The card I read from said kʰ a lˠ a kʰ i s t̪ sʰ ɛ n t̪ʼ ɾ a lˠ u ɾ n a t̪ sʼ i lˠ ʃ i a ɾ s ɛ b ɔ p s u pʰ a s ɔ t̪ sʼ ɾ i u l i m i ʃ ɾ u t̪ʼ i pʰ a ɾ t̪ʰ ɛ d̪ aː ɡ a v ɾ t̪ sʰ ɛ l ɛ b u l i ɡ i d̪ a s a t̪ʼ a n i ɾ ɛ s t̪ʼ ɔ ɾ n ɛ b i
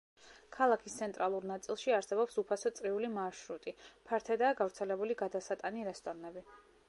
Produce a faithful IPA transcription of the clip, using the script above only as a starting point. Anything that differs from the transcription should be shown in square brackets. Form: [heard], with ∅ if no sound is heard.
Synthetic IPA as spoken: kʰ a lˠ a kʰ i s t̪ sʰ ɛ n t̪ʼ ɾ a lˠ u ɾ n a t̪ sʼ i lˠ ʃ i a ɾ s ɛ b ɔ p s u pʰ a s ɔ t̪ sʼ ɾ i u l i m [a] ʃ ɾ u t̪ʼ i pʰ a ɾ t̪ʰ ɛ d̪ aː ɡ a v ɾ t̪ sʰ ɛ l ɛ b u l i ɡ [a] d̪ a s a t̪ʼ a n i ɾ ɛ s t̪ʼ ɔ ɾ n ɛ b i